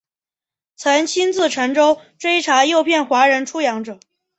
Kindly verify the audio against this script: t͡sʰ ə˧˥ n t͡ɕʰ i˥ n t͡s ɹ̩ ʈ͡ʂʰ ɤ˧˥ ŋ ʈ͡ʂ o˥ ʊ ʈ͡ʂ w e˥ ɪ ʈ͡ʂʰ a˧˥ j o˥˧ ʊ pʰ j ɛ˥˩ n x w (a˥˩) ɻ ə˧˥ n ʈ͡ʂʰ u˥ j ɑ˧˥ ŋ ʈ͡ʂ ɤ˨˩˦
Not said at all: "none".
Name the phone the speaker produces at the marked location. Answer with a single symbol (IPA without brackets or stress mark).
a˧˥